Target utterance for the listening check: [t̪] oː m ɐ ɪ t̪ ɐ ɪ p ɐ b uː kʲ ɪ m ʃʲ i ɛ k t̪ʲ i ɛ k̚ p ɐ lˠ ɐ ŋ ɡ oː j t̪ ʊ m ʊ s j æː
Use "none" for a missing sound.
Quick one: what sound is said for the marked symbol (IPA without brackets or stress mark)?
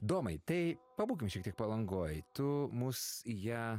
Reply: d̪